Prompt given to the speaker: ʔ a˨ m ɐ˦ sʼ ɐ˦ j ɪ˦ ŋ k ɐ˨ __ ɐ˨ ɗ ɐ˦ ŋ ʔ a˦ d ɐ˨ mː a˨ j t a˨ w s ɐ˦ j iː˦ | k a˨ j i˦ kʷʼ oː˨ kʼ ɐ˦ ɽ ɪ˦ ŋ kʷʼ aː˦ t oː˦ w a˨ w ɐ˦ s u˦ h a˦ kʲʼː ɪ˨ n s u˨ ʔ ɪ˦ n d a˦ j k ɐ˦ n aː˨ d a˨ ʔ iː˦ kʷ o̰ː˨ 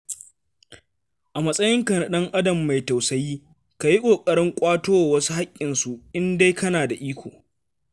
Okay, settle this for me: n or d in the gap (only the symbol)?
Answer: n